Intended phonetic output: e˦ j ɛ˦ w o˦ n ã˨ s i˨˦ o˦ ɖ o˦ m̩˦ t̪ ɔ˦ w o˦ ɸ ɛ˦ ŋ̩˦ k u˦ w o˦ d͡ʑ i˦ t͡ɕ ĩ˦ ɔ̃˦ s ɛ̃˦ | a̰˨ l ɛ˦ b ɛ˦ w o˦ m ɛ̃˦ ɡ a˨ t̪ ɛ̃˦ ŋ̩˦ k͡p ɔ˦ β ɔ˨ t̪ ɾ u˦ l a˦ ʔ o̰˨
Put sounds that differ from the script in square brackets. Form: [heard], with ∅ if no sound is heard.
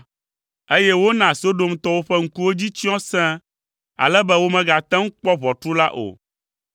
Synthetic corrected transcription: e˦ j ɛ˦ w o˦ n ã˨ s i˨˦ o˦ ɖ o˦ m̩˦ t̪ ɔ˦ w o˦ ɸ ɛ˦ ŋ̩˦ k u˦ w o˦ d͡ʑ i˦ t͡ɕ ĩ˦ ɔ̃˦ s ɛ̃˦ | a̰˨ l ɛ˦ b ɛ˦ w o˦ m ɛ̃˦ ɡ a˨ t̪ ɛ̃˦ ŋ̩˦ k͡p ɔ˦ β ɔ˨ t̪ ɾ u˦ l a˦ ʔ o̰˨